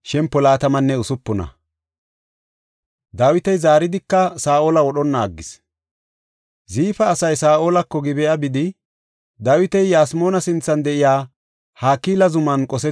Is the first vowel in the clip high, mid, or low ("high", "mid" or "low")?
mid